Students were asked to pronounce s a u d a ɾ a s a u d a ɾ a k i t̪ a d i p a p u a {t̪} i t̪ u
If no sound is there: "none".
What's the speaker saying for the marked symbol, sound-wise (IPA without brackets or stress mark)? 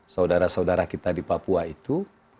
none